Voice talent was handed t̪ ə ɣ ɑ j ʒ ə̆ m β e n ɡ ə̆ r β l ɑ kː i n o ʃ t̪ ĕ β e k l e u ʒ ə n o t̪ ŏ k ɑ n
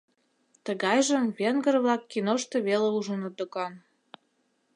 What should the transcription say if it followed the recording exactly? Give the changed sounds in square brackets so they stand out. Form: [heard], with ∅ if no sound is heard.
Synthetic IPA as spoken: t̪ ə ɣ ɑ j ʒ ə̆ m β e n ɡ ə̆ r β l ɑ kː i n o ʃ t̪ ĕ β e [∅] l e u ʒ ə n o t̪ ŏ k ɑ n